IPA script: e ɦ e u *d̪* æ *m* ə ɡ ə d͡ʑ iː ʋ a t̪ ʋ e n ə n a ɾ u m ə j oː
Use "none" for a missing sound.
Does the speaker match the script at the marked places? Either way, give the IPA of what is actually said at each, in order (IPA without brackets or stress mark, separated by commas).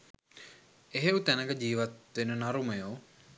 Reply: t̪, n